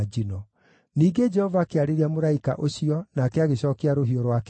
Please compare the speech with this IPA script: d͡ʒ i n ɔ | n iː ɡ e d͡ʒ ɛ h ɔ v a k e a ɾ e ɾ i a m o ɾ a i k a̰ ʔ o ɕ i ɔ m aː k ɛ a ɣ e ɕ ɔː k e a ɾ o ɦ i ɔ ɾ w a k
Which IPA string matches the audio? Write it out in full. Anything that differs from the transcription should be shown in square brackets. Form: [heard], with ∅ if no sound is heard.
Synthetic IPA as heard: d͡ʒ i n ɔ | n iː ɡ e d͡ʒ ɛ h ɔ v a k e a ɾ e ɾ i a m o ɾ a i k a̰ ʔ o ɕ i ɔ [n] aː k ɛ a ɣ e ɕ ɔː k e a ɾ o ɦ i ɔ ɾ w a k

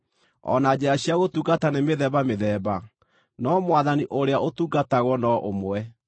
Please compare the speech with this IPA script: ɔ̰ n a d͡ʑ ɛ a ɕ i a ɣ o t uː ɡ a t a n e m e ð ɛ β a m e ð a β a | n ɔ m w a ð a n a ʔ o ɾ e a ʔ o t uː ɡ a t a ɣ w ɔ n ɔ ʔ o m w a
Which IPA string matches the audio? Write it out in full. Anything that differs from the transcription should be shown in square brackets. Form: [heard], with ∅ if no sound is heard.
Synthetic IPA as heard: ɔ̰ n a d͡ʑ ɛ a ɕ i a ɣ o t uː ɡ a t a n e m e ð ɛ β a m e ð [ɛ] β a | n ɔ m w a ð a n [i] ʔ o ɾ e a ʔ o t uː ɡ a t a ɣ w ɔ n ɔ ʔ o m w [ɛ]

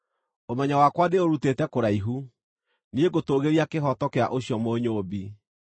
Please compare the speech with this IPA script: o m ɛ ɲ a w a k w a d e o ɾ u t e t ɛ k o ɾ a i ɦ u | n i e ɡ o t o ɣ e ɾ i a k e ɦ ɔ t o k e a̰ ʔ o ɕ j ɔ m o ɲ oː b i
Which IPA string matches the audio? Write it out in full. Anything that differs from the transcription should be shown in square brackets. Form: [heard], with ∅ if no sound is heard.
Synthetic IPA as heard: o m ɛ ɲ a w a k w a d e o ɾ u t e t ɛ k o ɾ a i ɦ u | n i e ɡ o t o ɣ e ɾ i a k e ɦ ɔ t [ɔ] k e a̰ ʔ o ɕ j ɔ m o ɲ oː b i

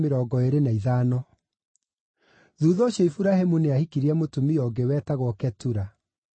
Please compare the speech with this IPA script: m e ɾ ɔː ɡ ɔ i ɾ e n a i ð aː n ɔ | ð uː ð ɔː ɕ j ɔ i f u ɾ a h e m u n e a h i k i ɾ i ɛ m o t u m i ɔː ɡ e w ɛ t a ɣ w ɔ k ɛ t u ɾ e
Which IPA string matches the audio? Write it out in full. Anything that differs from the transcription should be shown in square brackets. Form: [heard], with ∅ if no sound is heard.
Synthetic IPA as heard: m e ɾ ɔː ɡ ɔ [e] ɾ e n a i ð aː n ɔ | ð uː ð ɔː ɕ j ɔ i f u ɾ a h e m u n e a h i k i ɾ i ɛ m o t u m i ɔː ɡ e w ɛ t a ɣ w ɔ k ɛ t u ɾ [a]

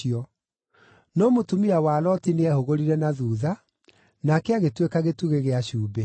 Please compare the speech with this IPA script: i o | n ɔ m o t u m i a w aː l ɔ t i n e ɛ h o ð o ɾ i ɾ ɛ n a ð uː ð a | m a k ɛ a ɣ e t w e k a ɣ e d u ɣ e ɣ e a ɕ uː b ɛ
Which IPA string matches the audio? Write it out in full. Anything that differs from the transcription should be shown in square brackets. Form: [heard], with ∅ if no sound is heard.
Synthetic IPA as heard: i [ɔ] | n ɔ m o t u m i a w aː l ɔ t i n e ɛ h o [ɣ] o ɾ i ɾ ɛ n a ð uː ð a | [n] a k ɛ a ɣ e t w e k a ɣ e [t] u ɣ e ɣ e a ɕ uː b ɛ

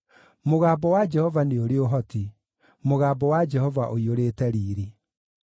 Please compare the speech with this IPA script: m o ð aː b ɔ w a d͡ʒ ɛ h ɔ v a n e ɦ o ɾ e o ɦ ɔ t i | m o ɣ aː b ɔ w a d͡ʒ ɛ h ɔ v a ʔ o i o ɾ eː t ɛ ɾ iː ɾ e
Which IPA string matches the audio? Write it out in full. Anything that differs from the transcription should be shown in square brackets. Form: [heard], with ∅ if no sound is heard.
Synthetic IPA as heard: m o [ɣ] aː b ɔ w a d͡ʒ ɛ h ɔ v a n e [∅] o ɾ e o ɦ ɔ t i | m o ɣ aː b ɔ w a d͡ʒ ɛ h ɔ v a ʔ o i o ɾ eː t ɛ ɾ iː ɾ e

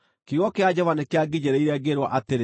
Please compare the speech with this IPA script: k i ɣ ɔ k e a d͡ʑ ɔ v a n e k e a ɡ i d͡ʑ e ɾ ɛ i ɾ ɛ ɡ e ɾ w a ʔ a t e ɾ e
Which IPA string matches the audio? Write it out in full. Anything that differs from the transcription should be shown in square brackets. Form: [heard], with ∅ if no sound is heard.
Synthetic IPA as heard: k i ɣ ɔ k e a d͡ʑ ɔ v a n e k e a ɡ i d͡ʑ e ɾ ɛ i ɾ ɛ ɡ e ɾ w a ʔ a t e ɾ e

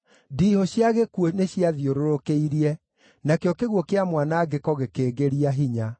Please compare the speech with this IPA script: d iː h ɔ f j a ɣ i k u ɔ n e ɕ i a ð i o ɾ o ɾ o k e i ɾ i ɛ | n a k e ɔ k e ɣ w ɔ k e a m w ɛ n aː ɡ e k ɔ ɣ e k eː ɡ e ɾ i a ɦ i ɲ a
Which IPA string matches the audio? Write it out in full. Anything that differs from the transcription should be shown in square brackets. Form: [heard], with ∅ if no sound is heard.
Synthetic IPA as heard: d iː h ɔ [ɕ] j a ɣ [e] k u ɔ n e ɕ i a ð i o ɾ o ɾ o k e i ɾ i ɛ | n a k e ɔ k e ɣ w ɔ k e a m w [a] n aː ɡ e k ɔ ɣ e k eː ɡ e ɾ i a ɦ i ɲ a

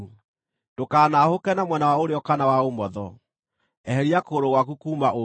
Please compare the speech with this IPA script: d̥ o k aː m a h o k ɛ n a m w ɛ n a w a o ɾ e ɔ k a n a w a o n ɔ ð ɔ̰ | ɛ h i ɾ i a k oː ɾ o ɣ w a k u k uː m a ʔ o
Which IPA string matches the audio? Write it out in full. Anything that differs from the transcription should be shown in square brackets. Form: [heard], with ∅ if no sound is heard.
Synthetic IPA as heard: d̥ o k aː [n] a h o k ɛ n a m w ɛ n a w a o ɾ e ɔ k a n a w a o [m] ɔ ð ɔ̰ | ɛ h [ɛ] ɾ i a k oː ɾ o ɣ w a k u k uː m a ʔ o

